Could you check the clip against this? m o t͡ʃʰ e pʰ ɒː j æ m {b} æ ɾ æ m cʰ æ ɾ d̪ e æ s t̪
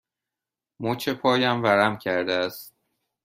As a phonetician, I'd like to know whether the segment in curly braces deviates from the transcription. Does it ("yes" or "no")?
yes